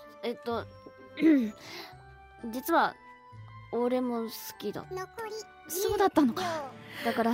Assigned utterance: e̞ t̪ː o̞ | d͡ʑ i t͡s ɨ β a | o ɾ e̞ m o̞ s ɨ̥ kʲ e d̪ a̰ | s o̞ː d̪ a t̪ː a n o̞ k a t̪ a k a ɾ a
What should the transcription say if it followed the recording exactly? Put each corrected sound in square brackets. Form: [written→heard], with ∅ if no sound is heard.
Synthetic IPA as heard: e̞ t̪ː o̞ | d͡ʑ i t͡s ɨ β a | o ɾ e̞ m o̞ s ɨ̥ kʲ [e→i] d̪ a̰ | s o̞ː d̪ a t̪ː a n o̞ k a [t̪→d̪] a k a ɾ a